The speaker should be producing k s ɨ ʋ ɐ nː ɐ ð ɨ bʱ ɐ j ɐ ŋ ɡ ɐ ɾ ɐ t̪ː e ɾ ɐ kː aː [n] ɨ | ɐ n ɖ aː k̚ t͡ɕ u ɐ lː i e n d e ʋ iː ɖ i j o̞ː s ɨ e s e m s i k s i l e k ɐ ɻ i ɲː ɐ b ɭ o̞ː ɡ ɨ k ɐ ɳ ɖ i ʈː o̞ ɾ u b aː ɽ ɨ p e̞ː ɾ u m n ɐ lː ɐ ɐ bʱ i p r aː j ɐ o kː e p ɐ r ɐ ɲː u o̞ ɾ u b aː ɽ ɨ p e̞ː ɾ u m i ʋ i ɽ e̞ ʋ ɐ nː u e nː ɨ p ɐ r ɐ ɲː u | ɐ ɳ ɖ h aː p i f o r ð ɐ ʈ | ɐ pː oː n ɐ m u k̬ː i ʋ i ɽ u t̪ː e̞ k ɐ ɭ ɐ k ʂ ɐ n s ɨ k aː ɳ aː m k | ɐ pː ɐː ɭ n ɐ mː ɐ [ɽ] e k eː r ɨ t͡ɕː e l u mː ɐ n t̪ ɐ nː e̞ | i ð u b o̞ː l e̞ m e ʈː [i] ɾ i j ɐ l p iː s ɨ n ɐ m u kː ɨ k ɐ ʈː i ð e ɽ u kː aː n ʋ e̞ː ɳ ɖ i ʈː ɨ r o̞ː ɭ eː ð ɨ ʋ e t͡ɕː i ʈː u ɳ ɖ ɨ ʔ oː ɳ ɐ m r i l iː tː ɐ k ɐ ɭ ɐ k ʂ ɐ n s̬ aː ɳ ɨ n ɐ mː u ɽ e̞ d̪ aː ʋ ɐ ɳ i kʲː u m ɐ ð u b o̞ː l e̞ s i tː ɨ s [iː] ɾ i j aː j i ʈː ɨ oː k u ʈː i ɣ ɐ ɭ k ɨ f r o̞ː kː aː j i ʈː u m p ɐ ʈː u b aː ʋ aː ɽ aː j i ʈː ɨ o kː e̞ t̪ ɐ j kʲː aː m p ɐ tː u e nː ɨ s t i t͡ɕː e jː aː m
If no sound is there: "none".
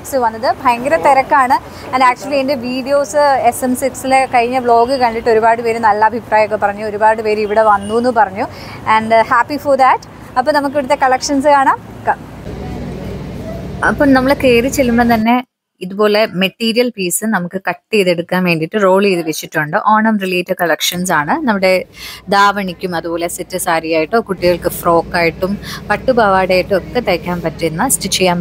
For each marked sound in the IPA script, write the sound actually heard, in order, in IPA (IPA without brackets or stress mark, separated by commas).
ɳ, ɭ, iː, aː